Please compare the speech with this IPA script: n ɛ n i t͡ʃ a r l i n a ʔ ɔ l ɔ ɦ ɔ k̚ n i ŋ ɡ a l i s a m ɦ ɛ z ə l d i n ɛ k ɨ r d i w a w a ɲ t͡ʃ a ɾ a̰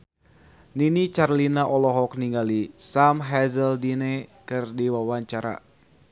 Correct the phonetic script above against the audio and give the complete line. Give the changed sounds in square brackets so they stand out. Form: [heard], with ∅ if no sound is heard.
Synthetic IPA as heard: n [i] n i t͡ʃ a r l i n a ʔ ɔ l ɔ ɦ ɔ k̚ n i ŋ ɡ a l i s a m ɦ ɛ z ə l d i n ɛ k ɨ r d i w a w a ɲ t͡ʃ a ɾ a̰